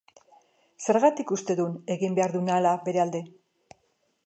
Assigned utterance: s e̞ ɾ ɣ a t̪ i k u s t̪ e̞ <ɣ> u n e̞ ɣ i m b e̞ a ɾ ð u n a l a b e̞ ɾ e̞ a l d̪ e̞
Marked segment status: incorrect: ð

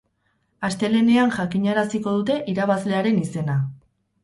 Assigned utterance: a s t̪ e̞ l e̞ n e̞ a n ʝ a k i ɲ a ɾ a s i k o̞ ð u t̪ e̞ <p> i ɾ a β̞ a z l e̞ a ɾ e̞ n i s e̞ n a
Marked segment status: incorrect: ʔ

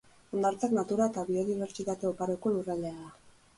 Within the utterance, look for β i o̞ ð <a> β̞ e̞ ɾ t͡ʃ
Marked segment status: incorrect: i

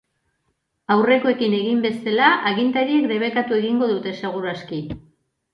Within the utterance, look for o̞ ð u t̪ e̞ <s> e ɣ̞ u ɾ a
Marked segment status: correct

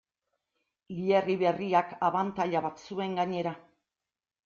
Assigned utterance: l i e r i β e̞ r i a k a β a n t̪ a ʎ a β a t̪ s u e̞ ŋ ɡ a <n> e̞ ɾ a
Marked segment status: incorrect: ɲ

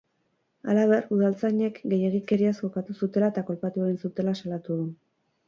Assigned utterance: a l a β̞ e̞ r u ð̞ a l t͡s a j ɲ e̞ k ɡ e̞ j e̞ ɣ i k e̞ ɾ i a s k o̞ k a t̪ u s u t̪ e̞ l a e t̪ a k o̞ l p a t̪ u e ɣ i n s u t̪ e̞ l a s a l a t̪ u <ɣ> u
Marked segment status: incorrect: ð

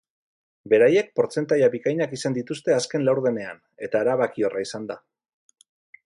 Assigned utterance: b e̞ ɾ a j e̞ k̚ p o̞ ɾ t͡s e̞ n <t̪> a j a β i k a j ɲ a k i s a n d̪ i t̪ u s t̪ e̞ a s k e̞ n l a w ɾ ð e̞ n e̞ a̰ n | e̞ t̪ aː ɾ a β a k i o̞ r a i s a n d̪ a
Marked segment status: correct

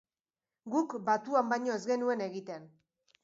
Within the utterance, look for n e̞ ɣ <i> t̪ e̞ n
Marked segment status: correct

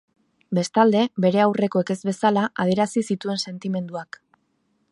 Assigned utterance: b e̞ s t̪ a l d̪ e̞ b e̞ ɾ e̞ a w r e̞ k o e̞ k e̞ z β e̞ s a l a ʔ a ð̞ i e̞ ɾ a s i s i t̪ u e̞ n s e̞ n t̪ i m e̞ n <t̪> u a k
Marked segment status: incorrect: d̪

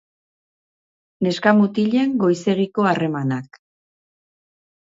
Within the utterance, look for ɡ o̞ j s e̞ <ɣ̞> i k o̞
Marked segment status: correct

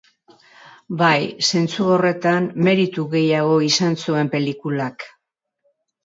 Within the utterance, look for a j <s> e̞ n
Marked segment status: correct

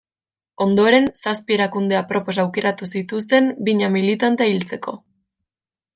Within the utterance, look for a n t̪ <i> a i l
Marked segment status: incorrect: e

